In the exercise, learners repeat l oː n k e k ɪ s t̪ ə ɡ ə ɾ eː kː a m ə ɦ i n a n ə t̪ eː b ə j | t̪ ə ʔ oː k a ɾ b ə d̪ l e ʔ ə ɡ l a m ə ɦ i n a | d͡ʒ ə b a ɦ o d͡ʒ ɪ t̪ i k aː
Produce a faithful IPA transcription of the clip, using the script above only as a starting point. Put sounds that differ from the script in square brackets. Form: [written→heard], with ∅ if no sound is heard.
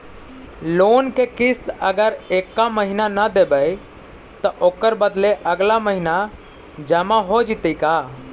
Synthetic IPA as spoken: l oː n k e k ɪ s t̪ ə ɡ ə ɾ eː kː a m ə ɦ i n a n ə [t̪→d̪] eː b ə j | t̪ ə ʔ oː k [a→ə] ɾ b ə d̪ l e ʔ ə ɡ l a m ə ɦ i n a | d͡ʒ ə [b→m] a ɦ o d͡ʒ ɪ t̪ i k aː